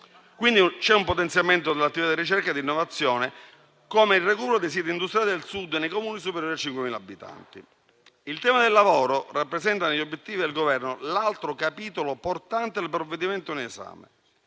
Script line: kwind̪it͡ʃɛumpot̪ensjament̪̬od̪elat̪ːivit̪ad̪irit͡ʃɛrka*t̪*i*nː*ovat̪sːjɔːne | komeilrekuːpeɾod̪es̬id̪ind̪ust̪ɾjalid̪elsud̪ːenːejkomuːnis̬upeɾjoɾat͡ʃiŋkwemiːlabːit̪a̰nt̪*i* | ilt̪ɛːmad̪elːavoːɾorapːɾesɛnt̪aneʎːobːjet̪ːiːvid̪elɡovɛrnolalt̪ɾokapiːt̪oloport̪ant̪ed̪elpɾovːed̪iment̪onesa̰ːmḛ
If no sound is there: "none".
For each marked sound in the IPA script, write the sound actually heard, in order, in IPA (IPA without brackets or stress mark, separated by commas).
d̪, nː, i